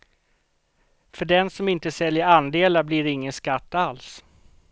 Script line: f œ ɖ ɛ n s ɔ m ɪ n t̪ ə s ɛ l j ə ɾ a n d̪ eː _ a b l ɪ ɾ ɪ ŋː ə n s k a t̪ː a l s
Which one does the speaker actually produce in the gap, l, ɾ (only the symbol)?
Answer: l